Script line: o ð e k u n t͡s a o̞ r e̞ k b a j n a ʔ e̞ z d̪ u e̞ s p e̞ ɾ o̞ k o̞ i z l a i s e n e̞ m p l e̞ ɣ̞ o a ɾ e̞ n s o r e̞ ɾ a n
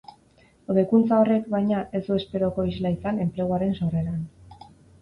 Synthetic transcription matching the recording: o ð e k u n t͡s a o̞ r e̞ k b a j ɲ a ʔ e̞ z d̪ u e̞ s p e̞ ɾ o̞ k o̞ i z l a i s a n e̞ m p l e̞ ɣ̞ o a ɾ e̞ n s o r e̞ ɾ a n